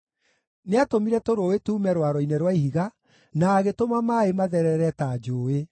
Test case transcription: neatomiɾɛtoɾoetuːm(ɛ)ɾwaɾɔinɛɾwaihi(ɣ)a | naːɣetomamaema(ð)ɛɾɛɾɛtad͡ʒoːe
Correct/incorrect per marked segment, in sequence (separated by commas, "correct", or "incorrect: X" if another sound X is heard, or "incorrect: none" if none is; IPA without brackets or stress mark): correct, correct, correct